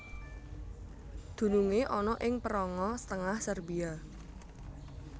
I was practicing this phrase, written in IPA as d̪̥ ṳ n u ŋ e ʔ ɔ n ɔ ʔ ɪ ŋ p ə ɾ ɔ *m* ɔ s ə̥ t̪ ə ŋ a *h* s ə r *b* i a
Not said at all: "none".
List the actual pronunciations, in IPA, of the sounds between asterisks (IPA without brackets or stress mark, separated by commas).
ŋ, h, b